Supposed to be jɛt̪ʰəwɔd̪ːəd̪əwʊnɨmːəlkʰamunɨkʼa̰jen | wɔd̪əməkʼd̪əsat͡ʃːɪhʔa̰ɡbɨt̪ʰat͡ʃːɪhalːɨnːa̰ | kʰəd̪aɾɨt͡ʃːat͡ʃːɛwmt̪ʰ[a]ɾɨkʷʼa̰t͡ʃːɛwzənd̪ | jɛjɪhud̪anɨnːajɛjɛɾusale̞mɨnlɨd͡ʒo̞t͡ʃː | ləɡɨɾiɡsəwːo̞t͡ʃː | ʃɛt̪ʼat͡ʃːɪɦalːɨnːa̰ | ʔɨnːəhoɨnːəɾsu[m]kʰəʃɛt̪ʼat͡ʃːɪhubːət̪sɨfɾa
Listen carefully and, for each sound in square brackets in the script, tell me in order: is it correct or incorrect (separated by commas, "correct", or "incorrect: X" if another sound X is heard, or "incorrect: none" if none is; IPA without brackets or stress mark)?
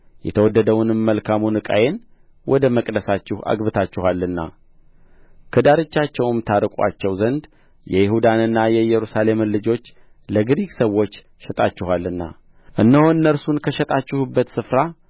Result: correct, incorrect: n